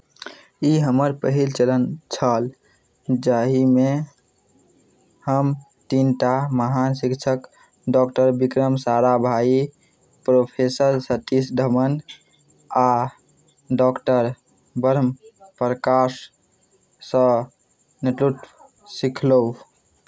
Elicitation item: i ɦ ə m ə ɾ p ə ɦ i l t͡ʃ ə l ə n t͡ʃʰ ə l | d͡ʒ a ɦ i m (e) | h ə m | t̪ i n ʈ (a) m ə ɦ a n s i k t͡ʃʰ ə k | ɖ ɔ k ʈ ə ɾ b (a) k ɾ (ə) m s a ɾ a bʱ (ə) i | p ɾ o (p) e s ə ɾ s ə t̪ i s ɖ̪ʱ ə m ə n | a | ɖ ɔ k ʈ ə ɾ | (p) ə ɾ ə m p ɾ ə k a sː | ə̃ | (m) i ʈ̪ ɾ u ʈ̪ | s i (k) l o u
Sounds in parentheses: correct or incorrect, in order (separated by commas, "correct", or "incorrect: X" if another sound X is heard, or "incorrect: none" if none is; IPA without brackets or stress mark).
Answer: correct, correct, incorrect: i, correct, incorrect: a, incorrect: pʰ, incorrect: b, incorrect: n, incorrect: kʰ